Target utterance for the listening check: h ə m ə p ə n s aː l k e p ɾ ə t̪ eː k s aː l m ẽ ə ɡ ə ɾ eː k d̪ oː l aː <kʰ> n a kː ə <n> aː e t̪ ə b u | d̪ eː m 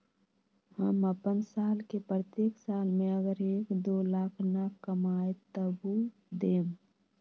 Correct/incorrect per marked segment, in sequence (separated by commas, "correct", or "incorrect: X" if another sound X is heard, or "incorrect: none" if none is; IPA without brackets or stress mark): correct, incorrect: m